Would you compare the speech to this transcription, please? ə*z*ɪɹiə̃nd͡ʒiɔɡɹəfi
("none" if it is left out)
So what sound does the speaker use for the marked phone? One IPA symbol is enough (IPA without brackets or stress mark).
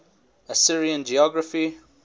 s